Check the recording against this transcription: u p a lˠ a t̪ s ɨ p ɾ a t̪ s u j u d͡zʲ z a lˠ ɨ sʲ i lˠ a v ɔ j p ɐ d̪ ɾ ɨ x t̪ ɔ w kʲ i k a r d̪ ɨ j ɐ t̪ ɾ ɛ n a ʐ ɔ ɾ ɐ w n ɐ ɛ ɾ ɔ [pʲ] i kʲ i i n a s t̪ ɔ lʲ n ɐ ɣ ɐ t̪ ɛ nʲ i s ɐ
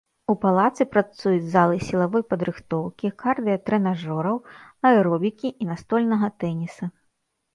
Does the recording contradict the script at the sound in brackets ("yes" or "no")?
yes